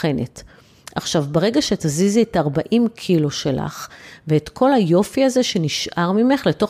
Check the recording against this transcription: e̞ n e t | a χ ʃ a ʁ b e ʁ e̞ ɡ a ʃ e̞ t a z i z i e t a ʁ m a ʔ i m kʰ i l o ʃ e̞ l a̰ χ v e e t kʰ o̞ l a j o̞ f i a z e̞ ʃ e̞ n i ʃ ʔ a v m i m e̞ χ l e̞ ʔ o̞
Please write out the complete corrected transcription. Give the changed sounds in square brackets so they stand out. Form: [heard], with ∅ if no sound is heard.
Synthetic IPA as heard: e̞ n e t | a χ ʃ a [v] b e ʁ e̞ ɡ a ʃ e̞ t a z i z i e t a ʁ [b] a ʔ i m kʰ i l o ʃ e̞ l a̰ χ v e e t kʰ o̞ l a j o̞ f i a z e̞ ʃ e̞ n i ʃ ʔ a [ʁ] m i m e̞ χ l e̞ [t] o̞